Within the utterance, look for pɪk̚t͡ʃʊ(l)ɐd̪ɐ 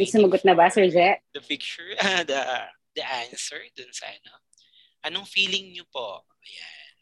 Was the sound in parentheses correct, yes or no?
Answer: no